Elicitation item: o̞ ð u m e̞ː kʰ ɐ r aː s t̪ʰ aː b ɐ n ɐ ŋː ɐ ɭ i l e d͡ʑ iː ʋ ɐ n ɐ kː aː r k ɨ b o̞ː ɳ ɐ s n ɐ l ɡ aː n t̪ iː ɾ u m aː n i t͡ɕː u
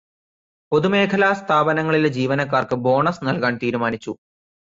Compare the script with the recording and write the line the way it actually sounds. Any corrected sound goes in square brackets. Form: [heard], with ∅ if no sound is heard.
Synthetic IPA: o̞ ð u m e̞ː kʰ ɐ [l] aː s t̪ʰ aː b ɐ n ɐ ŋː ɐ ɭ i l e d͡ʑ iː ʋ ɐ n ɐ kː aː r k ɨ b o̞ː ɳ ɐ s n ɐ l [k] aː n t̪ iː ɾ u m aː n i t͡ɕː u